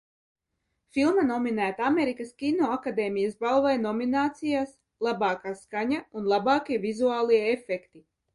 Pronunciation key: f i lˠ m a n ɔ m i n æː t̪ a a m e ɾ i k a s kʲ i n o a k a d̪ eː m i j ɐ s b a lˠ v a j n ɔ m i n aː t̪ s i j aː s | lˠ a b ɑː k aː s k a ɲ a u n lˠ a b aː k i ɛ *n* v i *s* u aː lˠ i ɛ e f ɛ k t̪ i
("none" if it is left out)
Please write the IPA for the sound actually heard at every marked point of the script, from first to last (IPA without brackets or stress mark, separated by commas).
none, z